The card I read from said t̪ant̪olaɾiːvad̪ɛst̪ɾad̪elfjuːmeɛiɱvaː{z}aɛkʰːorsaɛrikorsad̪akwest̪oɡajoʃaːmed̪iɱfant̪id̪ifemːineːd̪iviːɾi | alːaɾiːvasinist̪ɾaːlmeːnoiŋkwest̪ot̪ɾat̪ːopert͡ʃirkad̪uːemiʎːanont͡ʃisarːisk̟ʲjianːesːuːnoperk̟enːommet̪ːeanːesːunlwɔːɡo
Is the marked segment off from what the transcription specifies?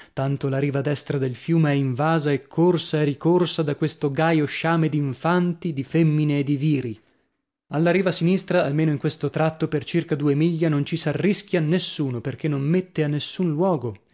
no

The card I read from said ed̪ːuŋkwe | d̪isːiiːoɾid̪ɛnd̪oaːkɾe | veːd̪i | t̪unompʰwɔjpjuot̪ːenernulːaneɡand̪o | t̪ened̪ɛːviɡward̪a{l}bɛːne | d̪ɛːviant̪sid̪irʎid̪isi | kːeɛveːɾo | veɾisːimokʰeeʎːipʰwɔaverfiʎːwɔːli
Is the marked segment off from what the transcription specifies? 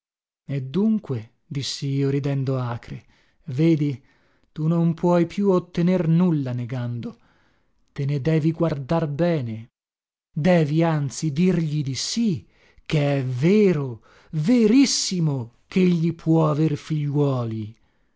yes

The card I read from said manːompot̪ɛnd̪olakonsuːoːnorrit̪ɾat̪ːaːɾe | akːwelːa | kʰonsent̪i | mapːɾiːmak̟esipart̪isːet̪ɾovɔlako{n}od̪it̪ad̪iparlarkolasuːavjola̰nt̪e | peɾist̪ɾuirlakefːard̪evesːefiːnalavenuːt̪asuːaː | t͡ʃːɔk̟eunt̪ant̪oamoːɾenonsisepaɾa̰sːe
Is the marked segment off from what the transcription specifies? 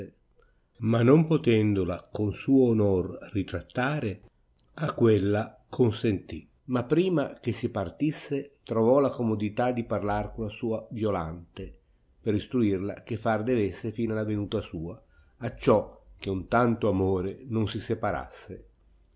yes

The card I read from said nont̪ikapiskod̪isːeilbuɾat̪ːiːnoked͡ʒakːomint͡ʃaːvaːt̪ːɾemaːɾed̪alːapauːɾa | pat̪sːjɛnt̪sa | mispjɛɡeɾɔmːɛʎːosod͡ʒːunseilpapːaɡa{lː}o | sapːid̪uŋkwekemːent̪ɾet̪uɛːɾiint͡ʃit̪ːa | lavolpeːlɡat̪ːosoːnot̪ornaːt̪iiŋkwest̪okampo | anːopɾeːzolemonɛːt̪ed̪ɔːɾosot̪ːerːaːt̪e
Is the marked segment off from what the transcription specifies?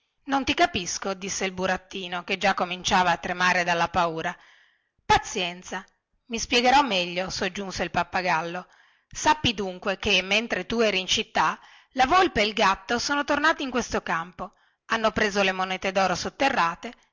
no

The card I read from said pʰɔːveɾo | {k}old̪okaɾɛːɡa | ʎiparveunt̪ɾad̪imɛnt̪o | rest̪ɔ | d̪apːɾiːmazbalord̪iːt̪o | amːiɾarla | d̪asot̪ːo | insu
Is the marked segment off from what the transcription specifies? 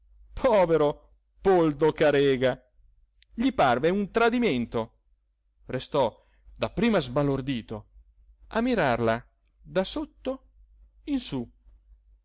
yes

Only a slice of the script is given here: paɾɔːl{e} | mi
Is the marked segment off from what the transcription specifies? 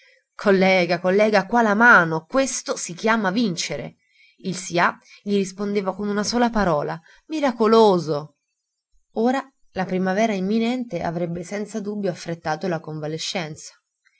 yes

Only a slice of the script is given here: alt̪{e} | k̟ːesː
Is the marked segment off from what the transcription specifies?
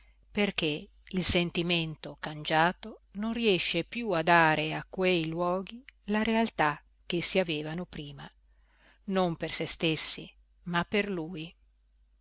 yes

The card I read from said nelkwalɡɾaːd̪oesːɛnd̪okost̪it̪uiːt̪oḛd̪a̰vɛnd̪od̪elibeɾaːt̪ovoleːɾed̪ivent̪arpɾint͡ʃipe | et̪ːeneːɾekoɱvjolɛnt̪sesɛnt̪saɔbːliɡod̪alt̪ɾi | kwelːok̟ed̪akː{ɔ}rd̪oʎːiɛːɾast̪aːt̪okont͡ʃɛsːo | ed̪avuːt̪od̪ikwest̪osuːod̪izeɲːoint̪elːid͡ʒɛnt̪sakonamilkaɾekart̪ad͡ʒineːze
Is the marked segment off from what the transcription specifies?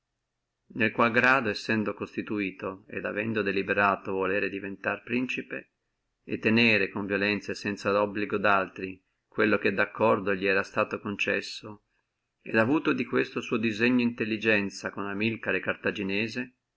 no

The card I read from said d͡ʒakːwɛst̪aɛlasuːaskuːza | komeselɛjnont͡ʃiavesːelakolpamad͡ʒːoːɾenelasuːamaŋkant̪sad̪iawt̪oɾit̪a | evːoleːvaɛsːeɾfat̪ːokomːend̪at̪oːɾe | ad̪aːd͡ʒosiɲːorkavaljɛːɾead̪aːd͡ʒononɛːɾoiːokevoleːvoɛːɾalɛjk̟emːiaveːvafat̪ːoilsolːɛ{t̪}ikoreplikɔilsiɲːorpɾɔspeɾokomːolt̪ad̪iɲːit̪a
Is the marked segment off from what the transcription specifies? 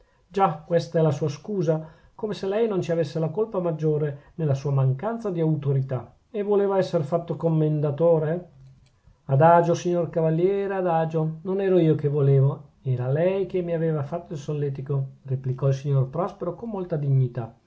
no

